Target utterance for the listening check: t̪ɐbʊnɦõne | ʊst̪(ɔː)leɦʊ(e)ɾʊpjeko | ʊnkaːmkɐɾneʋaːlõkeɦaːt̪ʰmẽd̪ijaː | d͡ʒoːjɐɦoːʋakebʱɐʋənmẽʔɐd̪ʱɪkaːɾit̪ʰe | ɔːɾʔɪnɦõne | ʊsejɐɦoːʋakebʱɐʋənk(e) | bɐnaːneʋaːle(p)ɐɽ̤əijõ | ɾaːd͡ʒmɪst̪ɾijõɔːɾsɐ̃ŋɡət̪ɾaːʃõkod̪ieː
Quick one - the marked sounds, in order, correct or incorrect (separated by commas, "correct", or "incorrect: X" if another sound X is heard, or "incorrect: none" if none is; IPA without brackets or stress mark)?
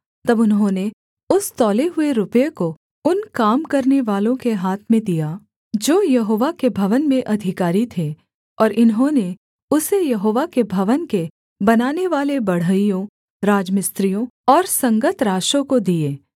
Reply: correct, correct, correct, incorrect: b